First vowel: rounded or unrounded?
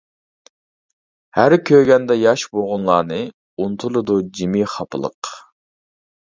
unrounded